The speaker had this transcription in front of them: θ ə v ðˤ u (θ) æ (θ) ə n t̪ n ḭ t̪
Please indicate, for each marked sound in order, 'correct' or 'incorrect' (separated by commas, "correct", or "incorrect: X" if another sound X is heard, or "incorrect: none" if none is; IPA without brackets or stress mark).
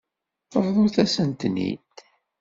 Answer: correct, incorrect: s